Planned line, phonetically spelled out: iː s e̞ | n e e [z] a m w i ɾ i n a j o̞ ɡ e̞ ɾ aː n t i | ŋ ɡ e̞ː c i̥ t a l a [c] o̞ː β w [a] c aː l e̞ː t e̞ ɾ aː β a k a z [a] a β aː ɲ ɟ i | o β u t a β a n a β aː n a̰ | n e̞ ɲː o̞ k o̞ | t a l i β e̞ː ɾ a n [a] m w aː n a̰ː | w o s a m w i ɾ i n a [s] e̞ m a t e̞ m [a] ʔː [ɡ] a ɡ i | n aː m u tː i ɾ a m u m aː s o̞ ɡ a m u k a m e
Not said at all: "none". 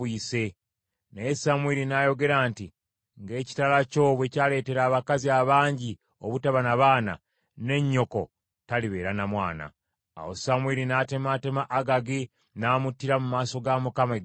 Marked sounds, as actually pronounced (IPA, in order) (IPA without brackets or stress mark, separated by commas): s, c, e, i, a, t, a, ɡ